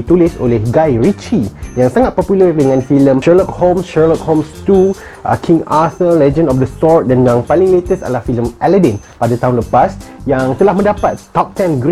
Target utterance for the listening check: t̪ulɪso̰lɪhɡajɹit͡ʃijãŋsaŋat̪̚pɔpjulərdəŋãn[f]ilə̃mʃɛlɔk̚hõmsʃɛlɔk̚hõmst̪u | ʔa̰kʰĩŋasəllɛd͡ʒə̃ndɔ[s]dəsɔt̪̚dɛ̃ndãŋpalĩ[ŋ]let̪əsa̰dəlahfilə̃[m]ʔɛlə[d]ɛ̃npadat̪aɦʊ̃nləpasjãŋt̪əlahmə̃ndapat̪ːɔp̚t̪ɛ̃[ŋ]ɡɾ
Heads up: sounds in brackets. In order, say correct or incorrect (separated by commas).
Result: correct, incorrect, correct, correct, correct, incorrect